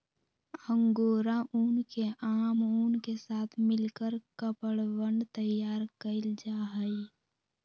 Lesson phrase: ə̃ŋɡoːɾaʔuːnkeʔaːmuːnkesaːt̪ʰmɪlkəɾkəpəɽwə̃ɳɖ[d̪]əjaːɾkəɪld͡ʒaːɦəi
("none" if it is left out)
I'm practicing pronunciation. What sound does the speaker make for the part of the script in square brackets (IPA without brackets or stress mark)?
t̪